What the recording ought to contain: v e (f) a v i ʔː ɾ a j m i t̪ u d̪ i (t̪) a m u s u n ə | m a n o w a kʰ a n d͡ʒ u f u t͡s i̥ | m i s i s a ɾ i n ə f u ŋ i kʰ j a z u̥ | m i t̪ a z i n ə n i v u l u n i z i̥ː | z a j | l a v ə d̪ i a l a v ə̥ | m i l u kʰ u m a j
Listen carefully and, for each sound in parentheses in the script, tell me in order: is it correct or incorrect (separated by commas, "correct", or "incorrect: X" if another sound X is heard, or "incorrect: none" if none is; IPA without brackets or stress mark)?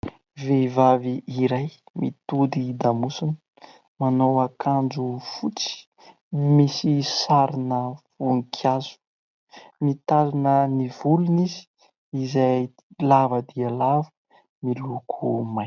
incorrect: v, incorrect: d̪